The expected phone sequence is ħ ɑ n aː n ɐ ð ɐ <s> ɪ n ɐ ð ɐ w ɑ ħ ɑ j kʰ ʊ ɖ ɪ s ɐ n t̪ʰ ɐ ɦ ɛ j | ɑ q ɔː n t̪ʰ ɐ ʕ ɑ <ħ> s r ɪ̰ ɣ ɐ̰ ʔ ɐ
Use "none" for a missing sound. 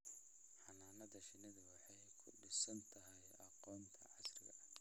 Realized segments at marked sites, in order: ʃ, none

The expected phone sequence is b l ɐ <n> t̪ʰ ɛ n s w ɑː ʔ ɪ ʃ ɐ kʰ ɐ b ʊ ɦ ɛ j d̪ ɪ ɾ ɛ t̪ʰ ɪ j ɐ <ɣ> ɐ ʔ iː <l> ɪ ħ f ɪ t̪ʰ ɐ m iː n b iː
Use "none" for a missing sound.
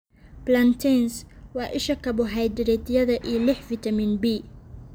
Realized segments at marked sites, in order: n, ð, l

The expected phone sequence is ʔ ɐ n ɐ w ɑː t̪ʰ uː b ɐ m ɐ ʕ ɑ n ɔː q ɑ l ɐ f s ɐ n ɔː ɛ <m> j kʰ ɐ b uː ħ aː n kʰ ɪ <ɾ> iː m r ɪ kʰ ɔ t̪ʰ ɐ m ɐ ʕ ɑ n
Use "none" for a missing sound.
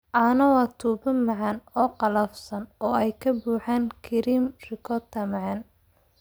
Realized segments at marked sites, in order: none, ɾ

